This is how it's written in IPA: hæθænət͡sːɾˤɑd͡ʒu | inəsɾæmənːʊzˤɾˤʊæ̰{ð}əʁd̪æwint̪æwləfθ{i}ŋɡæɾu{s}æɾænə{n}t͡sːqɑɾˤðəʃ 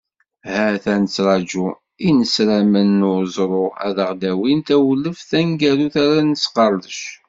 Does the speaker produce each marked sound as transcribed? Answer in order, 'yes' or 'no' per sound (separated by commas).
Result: yes, no, no, no